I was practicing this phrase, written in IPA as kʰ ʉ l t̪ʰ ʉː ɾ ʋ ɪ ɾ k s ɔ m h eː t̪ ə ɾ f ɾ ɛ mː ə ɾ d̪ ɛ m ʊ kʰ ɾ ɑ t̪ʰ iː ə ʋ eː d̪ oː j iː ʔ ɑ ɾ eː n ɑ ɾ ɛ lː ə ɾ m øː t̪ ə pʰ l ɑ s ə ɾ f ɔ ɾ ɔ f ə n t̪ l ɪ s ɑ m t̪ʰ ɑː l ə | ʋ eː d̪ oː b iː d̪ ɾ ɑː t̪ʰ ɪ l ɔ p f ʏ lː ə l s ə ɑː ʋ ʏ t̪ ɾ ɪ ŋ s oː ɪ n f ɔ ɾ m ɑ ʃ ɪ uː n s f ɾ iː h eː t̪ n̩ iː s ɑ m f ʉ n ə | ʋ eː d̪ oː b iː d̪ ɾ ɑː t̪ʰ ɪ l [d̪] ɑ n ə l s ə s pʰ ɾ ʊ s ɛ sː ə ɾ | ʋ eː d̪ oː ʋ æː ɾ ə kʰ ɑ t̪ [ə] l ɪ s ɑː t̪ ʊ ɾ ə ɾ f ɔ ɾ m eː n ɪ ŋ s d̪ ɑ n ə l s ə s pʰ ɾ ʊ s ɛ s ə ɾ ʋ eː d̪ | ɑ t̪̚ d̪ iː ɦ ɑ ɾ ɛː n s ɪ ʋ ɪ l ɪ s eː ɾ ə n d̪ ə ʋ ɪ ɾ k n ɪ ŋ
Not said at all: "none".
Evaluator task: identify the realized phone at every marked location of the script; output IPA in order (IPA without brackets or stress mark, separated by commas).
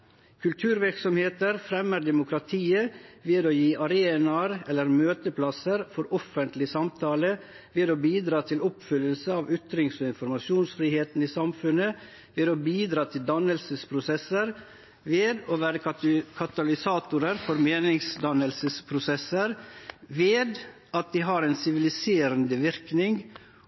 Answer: d̪, ɑ